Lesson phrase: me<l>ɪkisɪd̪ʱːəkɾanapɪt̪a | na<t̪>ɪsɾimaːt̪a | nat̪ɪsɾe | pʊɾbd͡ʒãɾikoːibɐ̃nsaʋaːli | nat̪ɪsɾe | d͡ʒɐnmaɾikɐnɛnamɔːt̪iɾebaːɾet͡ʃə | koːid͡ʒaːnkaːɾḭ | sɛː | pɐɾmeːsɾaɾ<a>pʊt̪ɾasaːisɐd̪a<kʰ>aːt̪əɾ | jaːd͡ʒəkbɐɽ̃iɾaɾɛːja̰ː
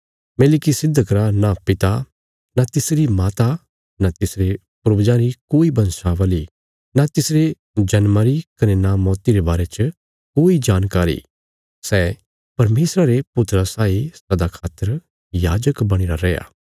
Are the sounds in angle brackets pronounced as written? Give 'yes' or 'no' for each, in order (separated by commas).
yes, yes, no, yes